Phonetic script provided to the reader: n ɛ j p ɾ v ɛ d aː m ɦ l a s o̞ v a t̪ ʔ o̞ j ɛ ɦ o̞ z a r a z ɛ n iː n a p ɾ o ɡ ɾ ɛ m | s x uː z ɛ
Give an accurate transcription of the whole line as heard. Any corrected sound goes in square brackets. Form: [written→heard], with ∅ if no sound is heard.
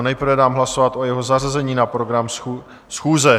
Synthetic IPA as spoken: n ɛ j p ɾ v ɛ d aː m ɦ l a s o̞ v a t̪ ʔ o̞ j ɛ ɦ o̞ z a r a z ɛ [n→ɲ] iː n a p ɾ o ɡ ɾ [ɛ→a] m | s x uː z ɛ